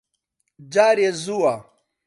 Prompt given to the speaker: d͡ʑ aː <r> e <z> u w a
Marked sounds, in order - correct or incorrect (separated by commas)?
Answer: incorrect, correct